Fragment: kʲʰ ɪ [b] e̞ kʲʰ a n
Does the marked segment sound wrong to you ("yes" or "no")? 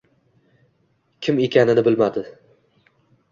yes